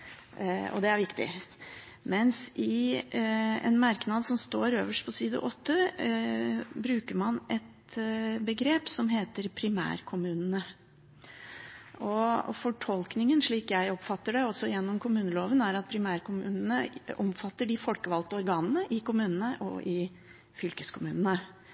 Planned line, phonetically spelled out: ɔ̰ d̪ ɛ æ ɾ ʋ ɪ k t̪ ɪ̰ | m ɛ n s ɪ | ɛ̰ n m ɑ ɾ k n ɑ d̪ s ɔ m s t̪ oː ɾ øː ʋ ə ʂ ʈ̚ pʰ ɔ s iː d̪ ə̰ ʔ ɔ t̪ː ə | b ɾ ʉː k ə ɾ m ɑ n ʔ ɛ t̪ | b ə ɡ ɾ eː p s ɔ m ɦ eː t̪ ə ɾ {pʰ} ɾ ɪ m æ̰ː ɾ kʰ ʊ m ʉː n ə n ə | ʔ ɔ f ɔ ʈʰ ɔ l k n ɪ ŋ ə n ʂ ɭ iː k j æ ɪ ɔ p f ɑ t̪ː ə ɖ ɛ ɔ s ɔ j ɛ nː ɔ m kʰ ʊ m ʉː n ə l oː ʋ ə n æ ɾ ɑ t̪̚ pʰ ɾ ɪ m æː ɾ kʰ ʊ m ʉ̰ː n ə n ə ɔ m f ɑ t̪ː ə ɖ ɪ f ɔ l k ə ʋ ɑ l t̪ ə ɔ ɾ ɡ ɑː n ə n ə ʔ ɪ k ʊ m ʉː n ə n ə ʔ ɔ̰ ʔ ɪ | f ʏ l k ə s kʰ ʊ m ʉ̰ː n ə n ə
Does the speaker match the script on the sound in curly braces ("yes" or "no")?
yes